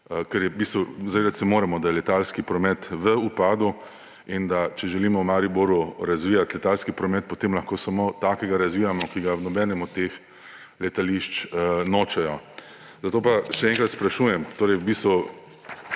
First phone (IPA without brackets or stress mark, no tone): k